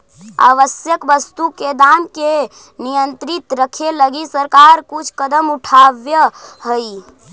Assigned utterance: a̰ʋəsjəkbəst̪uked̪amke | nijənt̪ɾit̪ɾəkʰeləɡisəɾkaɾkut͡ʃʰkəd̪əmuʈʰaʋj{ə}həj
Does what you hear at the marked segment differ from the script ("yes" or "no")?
no